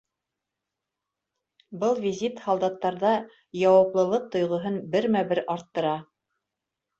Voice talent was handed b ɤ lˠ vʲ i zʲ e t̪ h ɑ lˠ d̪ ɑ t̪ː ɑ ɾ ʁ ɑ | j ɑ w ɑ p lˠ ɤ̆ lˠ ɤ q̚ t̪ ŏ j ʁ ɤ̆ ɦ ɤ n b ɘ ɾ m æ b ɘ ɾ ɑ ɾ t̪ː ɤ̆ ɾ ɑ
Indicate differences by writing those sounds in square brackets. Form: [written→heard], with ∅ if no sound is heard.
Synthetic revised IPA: b ɤ lˠ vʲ i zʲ [e→i] t̪ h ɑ lˠ d̪ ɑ t̪ː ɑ ɾ [ʁ→ð] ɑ | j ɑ w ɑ p lˠ ɤ̆ lˠ ɤ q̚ t̪ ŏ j ʁ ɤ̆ ɦ ɤ n b ɘ ɾ m æ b ɘ ɾ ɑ ɾ t̪ː ɤ̆ ɾ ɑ